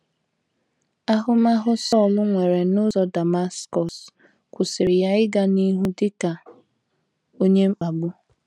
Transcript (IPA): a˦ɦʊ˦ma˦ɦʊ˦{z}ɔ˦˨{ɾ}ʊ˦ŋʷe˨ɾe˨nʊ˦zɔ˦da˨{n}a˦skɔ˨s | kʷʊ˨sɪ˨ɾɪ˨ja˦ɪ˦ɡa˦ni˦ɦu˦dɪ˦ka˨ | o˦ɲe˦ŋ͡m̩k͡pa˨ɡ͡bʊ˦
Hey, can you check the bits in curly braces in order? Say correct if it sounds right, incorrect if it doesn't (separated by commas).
incorrect, incorrect, incorrect